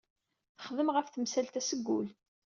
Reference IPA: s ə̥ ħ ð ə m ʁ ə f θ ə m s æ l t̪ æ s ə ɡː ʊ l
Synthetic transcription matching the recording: θ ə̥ χ ð ə m ʁ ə f θ ə m s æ l t̪ æ s ə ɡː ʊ l